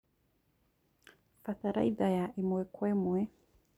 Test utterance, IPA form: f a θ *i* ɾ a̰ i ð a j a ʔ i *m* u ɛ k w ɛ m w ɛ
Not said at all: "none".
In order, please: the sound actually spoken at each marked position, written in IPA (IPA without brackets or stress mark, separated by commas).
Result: a, m